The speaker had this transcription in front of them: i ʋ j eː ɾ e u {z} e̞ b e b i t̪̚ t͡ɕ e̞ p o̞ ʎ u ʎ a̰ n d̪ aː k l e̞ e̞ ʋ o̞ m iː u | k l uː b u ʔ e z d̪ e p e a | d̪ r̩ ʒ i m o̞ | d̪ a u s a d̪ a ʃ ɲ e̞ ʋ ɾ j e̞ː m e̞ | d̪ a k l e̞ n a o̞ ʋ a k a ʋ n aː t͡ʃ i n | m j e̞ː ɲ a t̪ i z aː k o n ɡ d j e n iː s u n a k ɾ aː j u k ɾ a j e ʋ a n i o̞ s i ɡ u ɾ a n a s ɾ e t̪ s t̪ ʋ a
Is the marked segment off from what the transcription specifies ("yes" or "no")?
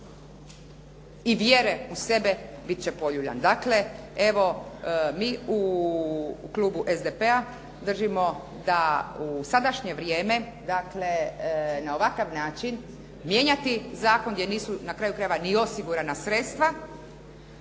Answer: yes